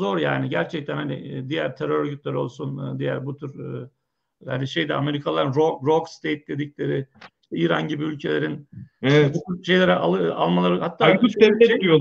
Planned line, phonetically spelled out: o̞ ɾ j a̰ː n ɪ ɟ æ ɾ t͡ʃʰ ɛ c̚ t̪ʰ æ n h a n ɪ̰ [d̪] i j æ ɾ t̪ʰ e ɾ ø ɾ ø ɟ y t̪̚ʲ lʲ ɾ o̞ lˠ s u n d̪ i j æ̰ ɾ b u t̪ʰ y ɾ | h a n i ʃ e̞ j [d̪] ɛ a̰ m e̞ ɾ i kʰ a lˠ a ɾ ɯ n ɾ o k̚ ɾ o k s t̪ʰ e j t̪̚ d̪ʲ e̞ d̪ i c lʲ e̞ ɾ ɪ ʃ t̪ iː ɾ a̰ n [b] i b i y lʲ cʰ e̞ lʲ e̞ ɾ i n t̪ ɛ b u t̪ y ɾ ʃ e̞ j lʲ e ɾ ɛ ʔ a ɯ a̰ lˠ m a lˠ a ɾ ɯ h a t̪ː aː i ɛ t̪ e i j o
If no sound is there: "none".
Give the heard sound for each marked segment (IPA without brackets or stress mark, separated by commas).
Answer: d̪, d̪, ɟ